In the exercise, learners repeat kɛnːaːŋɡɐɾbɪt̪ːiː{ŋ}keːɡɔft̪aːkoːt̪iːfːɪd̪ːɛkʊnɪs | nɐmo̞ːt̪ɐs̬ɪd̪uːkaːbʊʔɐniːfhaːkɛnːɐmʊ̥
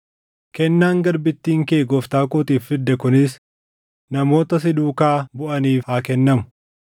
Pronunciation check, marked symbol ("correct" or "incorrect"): correct